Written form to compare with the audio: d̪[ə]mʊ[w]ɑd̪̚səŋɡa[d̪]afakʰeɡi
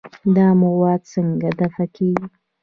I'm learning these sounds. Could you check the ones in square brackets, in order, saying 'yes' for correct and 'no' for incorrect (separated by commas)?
no, yes, yes